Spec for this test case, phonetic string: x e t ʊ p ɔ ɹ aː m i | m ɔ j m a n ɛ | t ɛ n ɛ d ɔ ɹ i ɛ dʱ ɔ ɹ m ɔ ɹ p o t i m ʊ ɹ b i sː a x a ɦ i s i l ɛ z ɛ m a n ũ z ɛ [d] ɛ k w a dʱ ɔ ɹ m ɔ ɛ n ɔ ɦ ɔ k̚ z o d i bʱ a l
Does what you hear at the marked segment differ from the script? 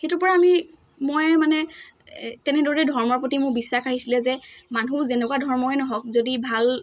yes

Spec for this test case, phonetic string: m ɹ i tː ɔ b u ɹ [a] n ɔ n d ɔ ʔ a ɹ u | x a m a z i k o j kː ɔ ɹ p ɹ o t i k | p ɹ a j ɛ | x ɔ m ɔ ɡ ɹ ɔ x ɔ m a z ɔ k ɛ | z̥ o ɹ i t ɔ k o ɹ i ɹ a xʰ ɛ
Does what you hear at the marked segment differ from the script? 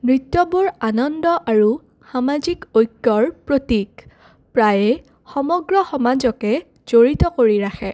no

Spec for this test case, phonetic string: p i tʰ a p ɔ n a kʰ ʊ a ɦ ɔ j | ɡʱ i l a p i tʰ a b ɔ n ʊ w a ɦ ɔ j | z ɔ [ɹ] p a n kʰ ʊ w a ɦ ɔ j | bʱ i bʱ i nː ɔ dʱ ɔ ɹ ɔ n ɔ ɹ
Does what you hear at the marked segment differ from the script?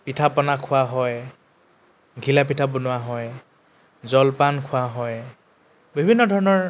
yes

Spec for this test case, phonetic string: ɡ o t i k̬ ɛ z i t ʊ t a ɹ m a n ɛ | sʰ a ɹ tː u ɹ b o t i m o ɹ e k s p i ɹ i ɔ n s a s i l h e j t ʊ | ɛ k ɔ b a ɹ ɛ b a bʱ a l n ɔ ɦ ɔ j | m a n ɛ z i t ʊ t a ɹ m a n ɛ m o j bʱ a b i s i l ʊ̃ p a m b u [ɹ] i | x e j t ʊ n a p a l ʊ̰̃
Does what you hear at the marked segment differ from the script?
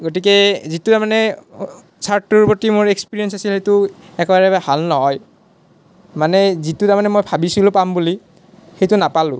yes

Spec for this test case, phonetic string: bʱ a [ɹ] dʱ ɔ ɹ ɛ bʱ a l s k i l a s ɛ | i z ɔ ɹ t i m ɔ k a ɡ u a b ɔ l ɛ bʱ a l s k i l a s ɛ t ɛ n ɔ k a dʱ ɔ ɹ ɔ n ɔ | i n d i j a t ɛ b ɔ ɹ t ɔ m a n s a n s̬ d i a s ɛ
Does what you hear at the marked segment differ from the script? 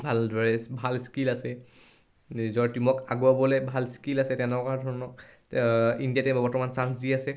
yes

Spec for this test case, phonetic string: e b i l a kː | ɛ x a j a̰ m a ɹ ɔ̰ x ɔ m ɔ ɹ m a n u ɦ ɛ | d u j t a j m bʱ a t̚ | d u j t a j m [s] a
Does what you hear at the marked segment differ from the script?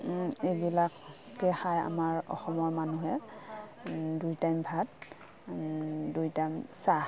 no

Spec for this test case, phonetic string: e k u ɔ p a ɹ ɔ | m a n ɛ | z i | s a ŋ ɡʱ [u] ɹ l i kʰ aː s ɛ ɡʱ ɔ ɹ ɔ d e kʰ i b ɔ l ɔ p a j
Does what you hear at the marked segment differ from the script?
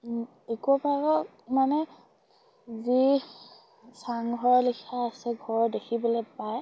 yes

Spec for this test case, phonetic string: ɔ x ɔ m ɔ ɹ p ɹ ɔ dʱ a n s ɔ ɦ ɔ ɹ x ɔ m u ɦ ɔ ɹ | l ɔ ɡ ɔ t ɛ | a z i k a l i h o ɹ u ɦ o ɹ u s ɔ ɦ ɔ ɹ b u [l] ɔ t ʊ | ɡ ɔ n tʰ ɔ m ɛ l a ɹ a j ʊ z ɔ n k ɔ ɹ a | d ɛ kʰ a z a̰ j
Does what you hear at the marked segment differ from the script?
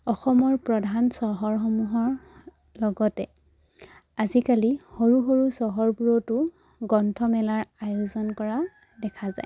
yes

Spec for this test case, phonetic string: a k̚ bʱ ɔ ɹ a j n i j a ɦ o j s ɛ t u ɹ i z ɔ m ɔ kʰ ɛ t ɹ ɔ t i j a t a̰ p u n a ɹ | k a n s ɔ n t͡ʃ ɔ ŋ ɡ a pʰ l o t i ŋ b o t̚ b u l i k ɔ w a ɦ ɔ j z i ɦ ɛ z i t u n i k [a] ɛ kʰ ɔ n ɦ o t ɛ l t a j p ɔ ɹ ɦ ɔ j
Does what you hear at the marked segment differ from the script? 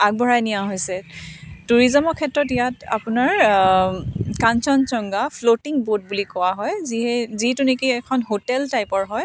yes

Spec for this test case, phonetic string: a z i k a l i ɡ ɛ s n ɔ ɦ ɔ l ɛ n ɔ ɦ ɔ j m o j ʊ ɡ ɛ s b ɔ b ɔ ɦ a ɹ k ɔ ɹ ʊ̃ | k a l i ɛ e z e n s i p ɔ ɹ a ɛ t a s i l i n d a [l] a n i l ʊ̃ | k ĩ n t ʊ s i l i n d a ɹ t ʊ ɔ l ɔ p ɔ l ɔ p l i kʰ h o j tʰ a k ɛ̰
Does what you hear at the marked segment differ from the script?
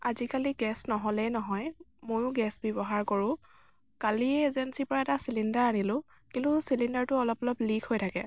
yes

